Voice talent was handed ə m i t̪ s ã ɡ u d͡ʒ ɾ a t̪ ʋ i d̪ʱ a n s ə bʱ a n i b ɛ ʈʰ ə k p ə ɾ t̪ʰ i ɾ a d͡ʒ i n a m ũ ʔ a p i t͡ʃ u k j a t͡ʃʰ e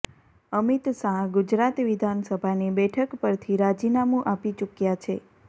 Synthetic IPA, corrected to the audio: ə m i t̪ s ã ɡ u d͡ʒ ɾ a t̪ ʋ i d̪ʱ a n s ə bʱ a n i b ɛ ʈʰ ə k p ə ɾ t̪ʰ i ɾ a d͡ʒ i n a m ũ ʔ a p i t͡ʃ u k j a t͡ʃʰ e

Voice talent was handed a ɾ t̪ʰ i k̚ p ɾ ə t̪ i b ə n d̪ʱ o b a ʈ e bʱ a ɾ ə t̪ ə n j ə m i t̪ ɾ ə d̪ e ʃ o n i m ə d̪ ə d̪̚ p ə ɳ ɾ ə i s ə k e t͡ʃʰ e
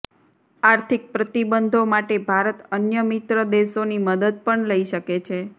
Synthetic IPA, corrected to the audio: a ɾ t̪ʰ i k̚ p ɾ ə t̪ i b ə n d̪ʱ o m a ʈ e bʱ a ɾ ə t̪ ə n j ə m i t̪ ɾ ə d̪ e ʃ o n i m ə d̪ ə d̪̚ p ə ɳ l ə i ʃ ə k e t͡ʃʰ e

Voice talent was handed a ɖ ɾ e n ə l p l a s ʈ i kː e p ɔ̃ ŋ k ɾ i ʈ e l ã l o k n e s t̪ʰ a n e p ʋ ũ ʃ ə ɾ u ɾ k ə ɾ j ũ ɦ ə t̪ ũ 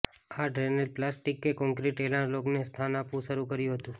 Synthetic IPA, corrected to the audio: a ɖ ɾ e n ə l p l a s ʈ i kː e k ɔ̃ ŋ k ɾ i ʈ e l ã l o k n e s t̪ʰ a n a p ʋ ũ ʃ ə ɾ u k ə ɾ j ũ ɦ ə t̪ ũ

